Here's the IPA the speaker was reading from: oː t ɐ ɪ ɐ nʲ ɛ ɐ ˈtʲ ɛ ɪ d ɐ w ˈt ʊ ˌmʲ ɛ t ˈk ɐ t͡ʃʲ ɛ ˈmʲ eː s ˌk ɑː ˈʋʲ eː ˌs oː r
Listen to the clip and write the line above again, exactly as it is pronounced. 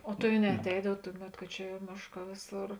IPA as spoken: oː t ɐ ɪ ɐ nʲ ɛ ɐ ˈtʲ ɛ ɪ d ɐ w ˈt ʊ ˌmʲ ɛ t ˈk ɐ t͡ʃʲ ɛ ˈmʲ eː ʃ ˌk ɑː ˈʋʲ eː ˌs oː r